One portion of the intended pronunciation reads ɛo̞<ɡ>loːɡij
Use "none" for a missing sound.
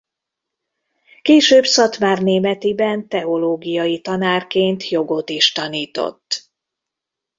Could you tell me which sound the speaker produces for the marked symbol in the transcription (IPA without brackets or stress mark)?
none